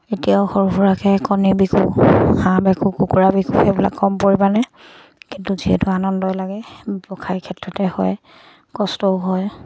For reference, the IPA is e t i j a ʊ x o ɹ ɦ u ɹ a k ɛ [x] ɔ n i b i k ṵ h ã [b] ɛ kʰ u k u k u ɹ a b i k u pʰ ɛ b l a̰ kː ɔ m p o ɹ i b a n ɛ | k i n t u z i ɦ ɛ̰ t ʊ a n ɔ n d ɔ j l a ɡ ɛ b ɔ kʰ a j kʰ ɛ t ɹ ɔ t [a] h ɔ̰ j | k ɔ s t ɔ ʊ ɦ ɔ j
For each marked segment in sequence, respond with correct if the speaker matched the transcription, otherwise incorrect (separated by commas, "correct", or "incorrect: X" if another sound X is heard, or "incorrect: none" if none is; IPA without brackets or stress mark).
incorrect: k, correct, incorrect: ɛ